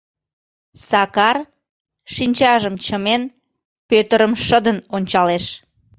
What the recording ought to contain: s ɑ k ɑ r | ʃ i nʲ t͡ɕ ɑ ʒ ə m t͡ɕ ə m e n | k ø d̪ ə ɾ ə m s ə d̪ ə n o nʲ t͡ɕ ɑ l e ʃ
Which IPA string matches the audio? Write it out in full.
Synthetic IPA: s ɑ k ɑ r | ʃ i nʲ t͡ɕ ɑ ʒ ə m t͡ɕ ə m e n | p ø t̪ ə ɾ ə m ʃ ə d̪ ə n o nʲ t͡ɕ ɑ l e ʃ

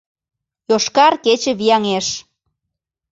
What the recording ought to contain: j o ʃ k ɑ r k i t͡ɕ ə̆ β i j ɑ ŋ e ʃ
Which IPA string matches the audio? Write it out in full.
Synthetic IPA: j o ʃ k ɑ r k e t͡ɕ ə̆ β i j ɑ ŋ e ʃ

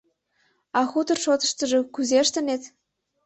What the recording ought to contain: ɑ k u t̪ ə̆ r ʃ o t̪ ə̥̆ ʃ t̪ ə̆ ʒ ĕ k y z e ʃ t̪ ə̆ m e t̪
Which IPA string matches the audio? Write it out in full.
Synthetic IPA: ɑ x u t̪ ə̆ r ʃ o t̪ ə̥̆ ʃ t̪ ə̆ ʒ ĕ k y z e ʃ t̪ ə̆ n e t̪

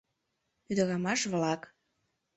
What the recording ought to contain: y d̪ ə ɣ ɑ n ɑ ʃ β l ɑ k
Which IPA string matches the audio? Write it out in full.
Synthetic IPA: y d̪ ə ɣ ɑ m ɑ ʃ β l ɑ k

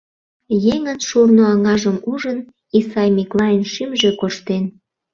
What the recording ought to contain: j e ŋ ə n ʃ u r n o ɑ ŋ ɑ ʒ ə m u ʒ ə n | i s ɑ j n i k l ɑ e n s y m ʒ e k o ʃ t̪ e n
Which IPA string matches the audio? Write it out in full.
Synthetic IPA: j e ŋ ə n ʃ u r n o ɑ ŋ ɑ ʒ ə m u ʒ ə n | i s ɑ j m i k l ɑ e n ʃ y m ʒ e k o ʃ t̪ e n

